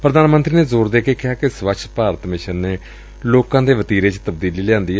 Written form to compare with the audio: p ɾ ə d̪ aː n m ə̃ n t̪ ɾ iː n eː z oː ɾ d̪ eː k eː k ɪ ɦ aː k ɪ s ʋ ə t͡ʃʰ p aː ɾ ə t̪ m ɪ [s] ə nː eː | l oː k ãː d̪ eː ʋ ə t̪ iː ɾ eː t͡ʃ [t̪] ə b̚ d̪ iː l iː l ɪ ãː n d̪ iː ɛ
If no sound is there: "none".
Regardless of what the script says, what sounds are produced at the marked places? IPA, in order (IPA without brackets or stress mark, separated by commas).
ʃ, t̪